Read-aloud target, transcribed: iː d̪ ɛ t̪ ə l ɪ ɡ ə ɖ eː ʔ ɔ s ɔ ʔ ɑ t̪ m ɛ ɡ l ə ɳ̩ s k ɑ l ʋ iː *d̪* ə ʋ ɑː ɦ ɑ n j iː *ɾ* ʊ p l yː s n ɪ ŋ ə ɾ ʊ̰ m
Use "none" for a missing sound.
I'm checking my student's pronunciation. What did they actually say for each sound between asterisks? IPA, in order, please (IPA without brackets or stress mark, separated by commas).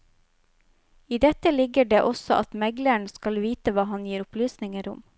t̪, ɾ